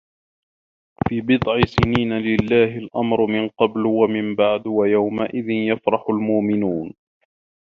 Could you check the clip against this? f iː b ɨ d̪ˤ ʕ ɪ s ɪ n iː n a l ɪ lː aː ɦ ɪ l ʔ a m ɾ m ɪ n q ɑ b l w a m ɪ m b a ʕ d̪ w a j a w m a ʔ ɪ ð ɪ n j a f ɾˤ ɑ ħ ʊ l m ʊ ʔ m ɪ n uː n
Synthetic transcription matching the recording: f iː b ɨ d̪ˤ ʕ ɪ s ɪ n iː n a l ɪ lː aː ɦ ɪ l ʔ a m ɾ m ɪ n q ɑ b l w a m ɪ m b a ʕ d̪ w a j a w m a ʔ ɪ ð ɪ n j a f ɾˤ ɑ ħ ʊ l m ʊ ʔ m ɪ n uː n